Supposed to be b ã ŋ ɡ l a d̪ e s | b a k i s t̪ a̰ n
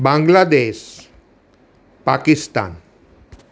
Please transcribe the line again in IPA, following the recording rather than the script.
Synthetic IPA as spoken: b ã ŋ ɡ l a d̪ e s | p a k i s t̪ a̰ n